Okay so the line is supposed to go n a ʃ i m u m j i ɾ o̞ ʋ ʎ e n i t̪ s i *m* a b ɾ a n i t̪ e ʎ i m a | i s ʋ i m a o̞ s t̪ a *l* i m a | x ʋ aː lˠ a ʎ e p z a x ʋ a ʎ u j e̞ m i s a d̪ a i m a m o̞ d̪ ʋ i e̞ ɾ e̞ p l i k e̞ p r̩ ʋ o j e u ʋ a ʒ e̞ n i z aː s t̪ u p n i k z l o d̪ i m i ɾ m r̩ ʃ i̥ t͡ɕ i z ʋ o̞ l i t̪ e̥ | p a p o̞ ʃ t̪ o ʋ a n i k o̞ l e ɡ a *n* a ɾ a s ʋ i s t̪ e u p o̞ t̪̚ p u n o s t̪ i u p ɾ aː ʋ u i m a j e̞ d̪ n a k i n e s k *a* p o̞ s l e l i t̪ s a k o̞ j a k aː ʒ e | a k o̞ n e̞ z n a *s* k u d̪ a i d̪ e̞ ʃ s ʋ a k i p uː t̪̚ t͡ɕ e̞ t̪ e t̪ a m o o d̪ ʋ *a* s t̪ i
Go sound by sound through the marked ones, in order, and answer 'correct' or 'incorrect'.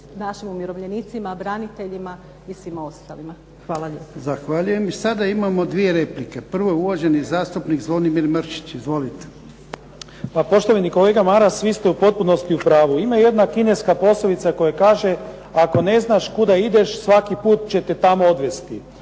correct, correct, incorrect: m, correct, incorrect: ʃ, incorrect: e

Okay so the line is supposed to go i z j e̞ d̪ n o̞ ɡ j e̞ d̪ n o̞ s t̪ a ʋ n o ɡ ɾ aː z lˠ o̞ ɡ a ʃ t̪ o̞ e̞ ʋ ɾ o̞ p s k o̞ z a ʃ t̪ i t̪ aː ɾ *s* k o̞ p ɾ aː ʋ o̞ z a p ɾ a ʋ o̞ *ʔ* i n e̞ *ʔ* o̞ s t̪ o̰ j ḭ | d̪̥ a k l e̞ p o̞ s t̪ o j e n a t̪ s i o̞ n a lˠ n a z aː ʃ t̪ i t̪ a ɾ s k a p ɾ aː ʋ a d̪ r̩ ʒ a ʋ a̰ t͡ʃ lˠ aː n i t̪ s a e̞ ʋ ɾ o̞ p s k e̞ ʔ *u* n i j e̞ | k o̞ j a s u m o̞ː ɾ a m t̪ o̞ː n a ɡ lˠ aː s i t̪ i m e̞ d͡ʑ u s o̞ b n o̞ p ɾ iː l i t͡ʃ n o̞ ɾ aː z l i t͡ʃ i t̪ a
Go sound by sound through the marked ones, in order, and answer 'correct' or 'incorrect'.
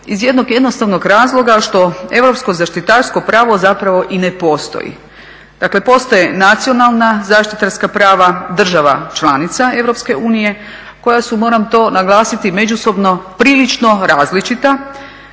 correct, correct, incorrect: p, incorrect: uː

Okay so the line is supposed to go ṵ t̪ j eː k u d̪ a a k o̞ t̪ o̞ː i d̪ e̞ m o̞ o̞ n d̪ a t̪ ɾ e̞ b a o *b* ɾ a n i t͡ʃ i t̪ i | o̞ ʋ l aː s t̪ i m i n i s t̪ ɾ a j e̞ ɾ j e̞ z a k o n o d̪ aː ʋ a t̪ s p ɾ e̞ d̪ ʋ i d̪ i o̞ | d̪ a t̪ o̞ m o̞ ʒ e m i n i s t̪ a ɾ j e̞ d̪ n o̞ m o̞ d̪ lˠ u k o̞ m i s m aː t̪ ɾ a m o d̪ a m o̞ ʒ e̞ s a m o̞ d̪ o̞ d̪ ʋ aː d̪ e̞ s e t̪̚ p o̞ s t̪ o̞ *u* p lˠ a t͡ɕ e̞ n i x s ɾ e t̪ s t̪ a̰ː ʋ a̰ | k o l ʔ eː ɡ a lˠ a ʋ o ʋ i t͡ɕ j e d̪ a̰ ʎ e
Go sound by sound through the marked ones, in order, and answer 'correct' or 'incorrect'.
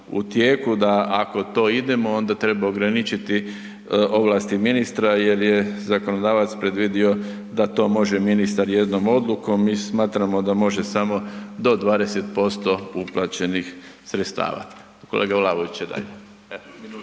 incorrect: ɡ, correct

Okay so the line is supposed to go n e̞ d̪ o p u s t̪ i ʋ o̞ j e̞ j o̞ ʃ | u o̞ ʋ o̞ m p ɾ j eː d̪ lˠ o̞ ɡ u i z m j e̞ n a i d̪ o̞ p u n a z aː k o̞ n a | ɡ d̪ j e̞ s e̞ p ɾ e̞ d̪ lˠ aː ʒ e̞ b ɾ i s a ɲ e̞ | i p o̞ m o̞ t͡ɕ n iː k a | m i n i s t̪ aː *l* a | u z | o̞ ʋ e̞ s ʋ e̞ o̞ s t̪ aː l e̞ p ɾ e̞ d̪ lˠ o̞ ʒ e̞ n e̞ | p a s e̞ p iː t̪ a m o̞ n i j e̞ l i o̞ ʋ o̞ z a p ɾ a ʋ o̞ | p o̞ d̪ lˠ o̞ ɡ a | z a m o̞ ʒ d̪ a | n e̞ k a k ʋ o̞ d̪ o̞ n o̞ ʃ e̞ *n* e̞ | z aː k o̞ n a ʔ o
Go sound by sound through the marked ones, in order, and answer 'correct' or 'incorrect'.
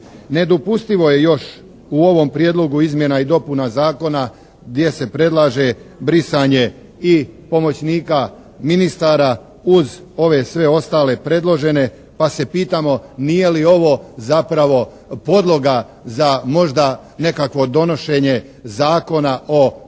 incorrect: ɾ, incorrect: ɲ

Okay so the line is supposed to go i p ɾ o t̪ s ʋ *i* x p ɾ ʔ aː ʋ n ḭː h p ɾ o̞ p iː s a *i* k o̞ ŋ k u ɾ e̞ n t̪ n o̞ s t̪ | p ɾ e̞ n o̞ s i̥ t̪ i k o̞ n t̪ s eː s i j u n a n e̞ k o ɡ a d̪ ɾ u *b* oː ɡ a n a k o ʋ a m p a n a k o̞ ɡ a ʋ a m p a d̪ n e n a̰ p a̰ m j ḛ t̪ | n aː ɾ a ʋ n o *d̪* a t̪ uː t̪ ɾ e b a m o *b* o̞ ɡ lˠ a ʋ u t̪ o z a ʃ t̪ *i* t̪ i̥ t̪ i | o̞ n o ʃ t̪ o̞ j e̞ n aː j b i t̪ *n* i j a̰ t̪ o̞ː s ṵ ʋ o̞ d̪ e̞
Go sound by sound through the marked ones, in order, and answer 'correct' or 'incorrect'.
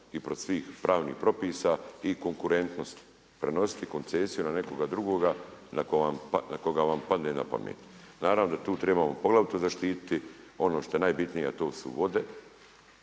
incorrect: iː, correct, incorrect: ɡ, correct, incorrect: p, incorrect: iː, correct

